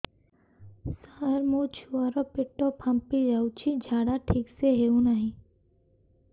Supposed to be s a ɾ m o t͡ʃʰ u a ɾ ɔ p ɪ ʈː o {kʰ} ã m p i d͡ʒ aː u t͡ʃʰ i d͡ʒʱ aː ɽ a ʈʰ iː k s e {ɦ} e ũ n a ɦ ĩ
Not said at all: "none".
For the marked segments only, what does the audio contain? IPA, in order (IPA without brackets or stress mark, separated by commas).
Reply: pʰ, ɦ